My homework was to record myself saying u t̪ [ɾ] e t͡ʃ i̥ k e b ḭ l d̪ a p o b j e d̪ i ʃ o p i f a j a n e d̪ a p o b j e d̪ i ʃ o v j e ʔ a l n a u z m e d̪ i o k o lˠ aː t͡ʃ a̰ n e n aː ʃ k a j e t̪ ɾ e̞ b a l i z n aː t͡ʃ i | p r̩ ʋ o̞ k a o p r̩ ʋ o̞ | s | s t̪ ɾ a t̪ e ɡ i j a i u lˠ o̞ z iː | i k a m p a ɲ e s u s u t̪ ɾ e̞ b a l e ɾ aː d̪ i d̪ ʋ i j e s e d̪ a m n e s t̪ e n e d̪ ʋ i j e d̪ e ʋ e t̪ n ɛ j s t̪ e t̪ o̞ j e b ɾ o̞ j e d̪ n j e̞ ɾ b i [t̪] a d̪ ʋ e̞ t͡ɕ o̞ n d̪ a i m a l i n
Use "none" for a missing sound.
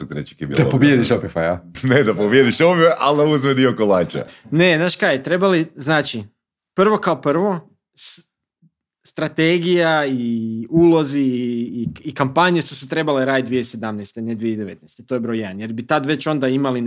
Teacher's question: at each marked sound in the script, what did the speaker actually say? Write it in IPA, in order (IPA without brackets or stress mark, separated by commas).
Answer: ɾ, t̪